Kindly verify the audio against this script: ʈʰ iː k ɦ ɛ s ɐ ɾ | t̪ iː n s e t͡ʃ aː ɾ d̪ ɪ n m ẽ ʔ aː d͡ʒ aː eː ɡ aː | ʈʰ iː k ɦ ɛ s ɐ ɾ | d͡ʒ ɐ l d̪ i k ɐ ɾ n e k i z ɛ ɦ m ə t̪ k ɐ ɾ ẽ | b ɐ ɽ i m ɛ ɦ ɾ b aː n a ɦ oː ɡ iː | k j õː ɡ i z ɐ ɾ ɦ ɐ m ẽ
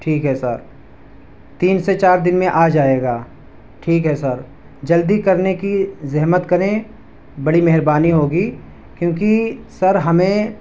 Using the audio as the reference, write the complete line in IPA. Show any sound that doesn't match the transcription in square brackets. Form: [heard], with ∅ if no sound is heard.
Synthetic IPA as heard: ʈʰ iː k ɦ ɛ s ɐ ɾ | t̪ iː n s e t͡ʃ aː ɾ d̪ ɪ n m ẽ ʔ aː d͡ʒ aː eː ɡ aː | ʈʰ iː k ɦ ɛ s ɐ ɾ | d͡ʒ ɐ l d̪ i k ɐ ɾ n e k i z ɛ ɦ m ə t̪ k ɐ ɾ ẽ | b ɐ ɽ i m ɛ ɦ ɾ b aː n [i] ɦ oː ɡ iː | k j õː [k] i [s] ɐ ɾ ɦ ɐ m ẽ

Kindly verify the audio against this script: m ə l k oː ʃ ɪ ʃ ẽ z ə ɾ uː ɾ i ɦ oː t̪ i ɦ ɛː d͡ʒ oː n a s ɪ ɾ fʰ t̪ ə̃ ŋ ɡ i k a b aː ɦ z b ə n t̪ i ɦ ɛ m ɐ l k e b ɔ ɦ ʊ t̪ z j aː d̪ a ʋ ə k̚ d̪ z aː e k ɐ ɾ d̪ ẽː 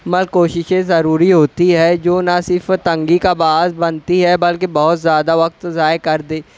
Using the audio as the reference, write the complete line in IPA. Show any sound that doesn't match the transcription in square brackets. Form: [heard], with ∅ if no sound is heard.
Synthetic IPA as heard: m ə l k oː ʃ ɪ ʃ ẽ z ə ɾ uː ɾ i ɦ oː t̪ i ɦ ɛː d͡ʒ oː n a s ɪ ɾ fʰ t̪ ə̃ ŋ ɡ i k a b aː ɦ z b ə n t̪ i ɦ ɛ [b] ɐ l k e b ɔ ɦ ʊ t̪ z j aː d̪ a ʋ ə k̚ [t̪] z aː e k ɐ ɾ d̪ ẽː

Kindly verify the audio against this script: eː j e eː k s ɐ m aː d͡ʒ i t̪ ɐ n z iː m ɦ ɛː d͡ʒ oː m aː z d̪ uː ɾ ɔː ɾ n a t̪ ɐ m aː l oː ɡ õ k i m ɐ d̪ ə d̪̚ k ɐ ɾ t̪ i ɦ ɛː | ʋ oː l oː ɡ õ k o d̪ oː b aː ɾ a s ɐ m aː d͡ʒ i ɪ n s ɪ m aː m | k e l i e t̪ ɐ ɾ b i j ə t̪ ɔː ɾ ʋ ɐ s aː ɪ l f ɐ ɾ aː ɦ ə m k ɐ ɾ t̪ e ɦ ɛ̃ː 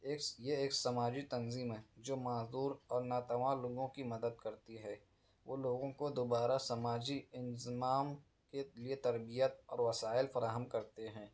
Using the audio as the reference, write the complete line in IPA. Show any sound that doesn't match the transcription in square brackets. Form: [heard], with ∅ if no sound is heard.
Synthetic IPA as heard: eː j e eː k s ɐ m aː d͡ʒ i t̪ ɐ n z iː m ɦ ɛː d͡ʒ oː m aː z d̪ uː ɾ ɔː ɾ n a t̪ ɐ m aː l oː ɡ õ k i m ɐ d̪ ə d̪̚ k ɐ ɾ t̪ i ɦ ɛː | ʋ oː l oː ɡ õ k o d̪ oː b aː ɾ a s ɐ m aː d͡ʒ i ɪ n [z] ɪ m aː m | k e l i e t̪ ɐ ɾ b i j ə t̪ ɔː ɾ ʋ ɐ s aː ɪ l f ɐ ɾ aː ɦ ə m k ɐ ɾ t̪ e ɦ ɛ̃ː

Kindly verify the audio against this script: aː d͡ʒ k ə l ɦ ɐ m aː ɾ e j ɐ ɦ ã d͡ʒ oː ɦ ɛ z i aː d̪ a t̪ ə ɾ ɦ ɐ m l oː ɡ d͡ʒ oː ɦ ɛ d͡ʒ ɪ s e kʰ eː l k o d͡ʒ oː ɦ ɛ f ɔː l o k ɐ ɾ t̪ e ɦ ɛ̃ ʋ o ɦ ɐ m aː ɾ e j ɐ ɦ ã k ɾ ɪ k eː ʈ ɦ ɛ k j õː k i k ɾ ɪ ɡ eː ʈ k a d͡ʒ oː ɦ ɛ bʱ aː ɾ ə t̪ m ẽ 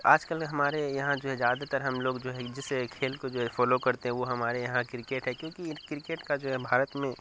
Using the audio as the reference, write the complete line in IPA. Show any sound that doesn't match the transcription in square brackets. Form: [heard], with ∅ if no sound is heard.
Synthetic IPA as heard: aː d͡ʒ k ə l ɦ ɐ m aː ɾ e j ɐ ɦ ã d͡ʒ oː ɦ ɛ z [j] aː d̪ a t̪ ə ɾ ɦ ɐ m l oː ɡ d͡ʒ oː ɦ ɛ d͡ʒ ɪ s e kʰ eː l k o d͡ʒ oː ɦ ɛ f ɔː l o k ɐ ɾ t̪ e ɦ ɛ̃ ʋ o ɦ ɐ m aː ɾ e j ɐ ɦ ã k ɾ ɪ k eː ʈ ɦ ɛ k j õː k i k ɾ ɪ [k] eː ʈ k a d͡ʒ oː ɦ ɛ bʱ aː ɾ ə t̪ m ẽ

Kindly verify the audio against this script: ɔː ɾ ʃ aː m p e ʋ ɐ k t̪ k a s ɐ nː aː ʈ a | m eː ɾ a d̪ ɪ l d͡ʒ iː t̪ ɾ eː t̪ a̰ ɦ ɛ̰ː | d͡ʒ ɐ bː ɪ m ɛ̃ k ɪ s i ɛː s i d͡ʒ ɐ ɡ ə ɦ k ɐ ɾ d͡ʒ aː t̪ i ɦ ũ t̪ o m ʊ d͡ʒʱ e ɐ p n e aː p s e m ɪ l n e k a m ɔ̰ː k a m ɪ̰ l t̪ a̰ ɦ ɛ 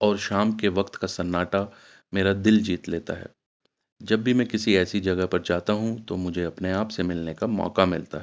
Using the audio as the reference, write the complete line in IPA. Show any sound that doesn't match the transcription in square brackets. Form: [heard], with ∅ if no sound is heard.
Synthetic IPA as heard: ɔː ɾ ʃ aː m [k] e ʋ ɐ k t̪ k a s ɐ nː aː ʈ a | m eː ɾ a d̪ ɪ l d͡ʒ iː t̪ [l] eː t̪ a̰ ɦ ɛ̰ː | d͡ʒ ɐ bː [i] m ɛ̃ k ɪ s i ɛː s i d͡ʒ ɐ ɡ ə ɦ [p] ɐ ɾ d͡ʒ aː t̪ [a] ɦ ũ t̪ o m ʊ d͡ʒʱ e ɐ p n e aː p s e m ɪ l n e k a m ɔ̰ː k a m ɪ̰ l t̪ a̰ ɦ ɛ

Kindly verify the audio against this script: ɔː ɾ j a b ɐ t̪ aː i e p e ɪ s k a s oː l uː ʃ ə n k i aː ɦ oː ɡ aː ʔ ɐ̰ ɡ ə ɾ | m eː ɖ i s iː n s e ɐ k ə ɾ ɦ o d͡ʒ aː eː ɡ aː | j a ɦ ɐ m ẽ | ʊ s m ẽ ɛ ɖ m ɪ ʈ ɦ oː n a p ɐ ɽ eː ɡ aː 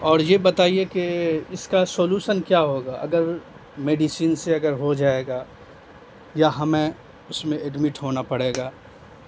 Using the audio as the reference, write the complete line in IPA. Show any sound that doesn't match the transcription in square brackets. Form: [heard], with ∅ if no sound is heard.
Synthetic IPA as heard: ɔː ɾ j [e] b ɐ t̪ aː i e [k] e ɪ s k a s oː l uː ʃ ə n k [j] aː ɦ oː ɡ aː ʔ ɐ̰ ɡ ə ɾ | m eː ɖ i s iː n s e ɐ [ɡ] ə ɾ ɦ o d͡ʒ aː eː ɡ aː | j a ɦ ɐ m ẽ | ʊ s m ẽ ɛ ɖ m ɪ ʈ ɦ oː n a p ɐ ɽ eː ɡ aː

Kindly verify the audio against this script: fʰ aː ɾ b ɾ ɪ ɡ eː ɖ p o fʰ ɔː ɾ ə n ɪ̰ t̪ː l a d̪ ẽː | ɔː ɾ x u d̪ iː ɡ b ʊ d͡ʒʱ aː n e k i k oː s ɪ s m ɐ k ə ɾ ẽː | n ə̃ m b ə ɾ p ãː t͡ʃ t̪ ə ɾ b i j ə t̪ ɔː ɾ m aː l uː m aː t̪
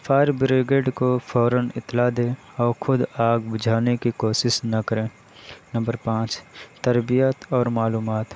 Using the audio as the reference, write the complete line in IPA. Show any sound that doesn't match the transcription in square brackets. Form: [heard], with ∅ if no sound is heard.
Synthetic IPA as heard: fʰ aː ɾ b ɾ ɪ ɡ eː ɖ [k] o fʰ ɔː ɾ ə n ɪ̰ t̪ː l a d̪ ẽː | ɔː ɾ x [ʊ] d̪ [aː] ɡ b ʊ d͡ʒʱ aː n e k i k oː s ɪ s [n] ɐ k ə ɾ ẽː | n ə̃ m b ə ɾ p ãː t͡ʃ t̪ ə ɾ b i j ə t̪ ɔː ɾ m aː l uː m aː t̪

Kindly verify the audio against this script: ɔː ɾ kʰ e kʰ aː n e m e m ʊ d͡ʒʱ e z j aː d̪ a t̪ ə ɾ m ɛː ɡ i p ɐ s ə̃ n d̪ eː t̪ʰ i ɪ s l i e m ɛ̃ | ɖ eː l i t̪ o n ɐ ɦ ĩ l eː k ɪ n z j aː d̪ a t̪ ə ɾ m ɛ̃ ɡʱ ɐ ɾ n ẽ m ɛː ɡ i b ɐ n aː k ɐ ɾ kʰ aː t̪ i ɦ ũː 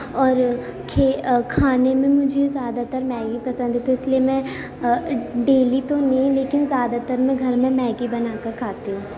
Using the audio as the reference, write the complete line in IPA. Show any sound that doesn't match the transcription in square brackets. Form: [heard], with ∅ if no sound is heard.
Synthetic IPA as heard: ɔː ɾ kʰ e kʰ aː n e m [ẽ] m ʊ d͡ʒʱ e z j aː d̪ a t̪ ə ɾ m ɛː ɡ i p ɐ s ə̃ n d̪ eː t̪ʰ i ɪ s l i e m ɛ̃ | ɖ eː l i t̪ o n ɐ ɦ ĩ l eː k ɪ n z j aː d̪ a t̪ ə ɾ m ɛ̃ ɡʱ ɐ ɾ [m] ẽ m ɛː ɡ i b ɐ n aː k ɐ ɾ kʰ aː t̪ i ɦ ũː

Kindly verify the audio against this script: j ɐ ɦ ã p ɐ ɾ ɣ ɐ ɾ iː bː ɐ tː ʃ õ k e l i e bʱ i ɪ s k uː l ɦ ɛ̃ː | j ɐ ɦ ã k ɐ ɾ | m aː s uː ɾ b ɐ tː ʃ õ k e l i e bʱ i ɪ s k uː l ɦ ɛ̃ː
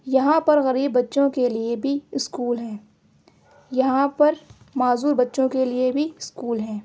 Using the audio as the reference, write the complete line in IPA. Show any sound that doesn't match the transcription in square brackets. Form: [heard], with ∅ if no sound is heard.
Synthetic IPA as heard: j ɐ ɦ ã p ɐ ɾ ɣ ɐ ɾ iː bː ɐ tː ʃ õ k e l i e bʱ i ɪ s k uː l ɦ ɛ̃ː | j ɐ ɦ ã [p] ɐ ɾ | m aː [z] uː ɾ b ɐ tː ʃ õ k e l i e bʱ i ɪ s k uː l ɦ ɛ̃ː

